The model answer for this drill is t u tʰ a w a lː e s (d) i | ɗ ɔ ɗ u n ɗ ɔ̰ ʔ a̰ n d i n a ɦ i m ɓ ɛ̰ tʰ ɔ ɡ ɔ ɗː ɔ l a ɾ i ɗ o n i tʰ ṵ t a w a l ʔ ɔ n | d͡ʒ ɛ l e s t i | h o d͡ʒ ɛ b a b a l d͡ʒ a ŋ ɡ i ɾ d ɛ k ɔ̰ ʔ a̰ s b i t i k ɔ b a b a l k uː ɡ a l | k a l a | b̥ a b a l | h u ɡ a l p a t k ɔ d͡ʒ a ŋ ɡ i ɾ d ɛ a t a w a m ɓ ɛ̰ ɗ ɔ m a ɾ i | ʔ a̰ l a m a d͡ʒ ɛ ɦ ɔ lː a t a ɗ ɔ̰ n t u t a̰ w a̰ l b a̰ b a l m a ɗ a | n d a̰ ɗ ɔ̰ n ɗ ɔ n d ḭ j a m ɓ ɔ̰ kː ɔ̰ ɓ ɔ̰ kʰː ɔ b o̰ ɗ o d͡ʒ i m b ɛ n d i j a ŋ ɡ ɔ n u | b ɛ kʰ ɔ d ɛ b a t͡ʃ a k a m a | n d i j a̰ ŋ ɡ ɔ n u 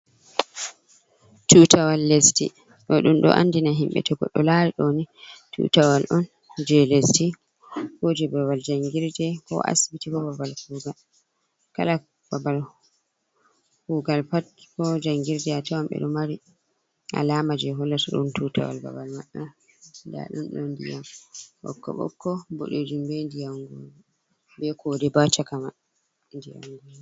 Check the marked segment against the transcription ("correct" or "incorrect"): incorrect